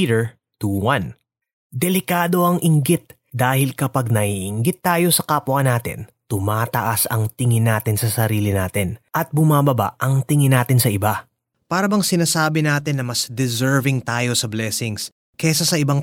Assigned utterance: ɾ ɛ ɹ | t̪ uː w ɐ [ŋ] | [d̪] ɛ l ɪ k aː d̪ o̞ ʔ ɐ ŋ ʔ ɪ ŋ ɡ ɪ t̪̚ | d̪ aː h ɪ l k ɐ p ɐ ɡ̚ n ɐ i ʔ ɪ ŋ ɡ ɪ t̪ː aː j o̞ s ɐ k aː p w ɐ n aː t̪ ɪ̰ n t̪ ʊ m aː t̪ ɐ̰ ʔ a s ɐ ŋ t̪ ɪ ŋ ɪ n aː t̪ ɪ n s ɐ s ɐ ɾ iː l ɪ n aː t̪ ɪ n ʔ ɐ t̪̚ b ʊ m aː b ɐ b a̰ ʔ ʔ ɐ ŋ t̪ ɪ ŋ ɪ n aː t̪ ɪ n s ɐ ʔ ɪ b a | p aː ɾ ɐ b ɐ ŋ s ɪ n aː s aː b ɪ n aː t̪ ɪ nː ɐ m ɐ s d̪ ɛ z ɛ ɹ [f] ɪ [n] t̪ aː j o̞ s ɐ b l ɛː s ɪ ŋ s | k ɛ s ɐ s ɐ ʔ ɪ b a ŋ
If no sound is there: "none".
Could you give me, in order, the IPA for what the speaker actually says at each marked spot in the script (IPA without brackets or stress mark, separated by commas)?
n, d̪, v, ŋ